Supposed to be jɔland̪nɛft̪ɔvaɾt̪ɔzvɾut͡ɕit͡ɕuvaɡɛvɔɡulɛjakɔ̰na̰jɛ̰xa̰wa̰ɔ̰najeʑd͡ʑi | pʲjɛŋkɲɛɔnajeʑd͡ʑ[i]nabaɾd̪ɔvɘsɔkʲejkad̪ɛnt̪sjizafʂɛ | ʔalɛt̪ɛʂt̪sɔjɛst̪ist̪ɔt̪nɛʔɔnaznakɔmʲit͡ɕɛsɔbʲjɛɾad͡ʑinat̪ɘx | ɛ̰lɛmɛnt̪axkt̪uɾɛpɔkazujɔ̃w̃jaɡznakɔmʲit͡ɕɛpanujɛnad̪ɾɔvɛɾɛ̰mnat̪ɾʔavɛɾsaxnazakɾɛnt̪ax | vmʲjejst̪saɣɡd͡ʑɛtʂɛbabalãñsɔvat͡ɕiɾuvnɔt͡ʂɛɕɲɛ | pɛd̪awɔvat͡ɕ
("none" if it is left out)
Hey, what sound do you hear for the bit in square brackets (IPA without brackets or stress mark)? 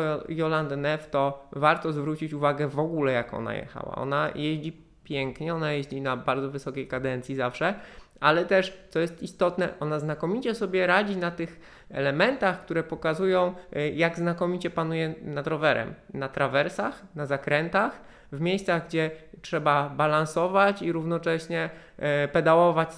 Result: i